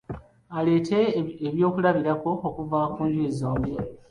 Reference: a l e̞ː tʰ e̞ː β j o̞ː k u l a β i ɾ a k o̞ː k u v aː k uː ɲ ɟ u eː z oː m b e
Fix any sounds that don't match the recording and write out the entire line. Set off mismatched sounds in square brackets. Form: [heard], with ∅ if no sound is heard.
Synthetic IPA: a l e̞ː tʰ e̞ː β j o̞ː k u l a β i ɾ a k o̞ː k u v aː k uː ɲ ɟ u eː z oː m b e